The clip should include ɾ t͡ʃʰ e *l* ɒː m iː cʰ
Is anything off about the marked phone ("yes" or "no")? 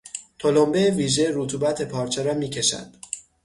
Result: yes